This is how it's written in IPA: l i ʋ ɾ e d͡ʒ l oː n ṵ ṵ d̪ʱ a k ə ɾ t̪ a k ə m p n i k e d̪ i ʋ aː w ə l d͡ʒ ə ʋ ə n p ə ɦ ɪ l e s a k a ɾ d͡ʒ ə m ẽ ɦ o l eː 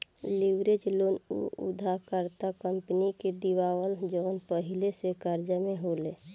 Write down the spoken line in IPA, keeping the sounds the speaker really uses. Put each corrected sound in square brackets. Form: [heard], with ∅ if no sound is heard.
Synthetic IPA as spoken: l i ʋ ɾ e d͡ʒ l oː n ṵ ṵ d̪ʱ a k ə ɾ t̪ a k ə m p n i k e d̪ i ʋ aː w ə l d͡ʒ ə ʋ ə n p ə ɦ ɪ l e s [e] k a ɾ d͡ʒ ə m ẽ ɦ o l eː